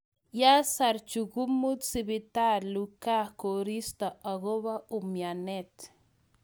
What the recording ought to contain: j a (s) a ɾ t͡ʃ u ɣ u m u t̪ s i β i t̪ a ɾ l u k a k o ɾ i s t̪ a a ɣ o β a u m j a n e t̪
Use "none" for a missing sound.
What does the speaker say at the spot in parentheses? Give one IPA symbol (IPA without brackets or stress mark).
s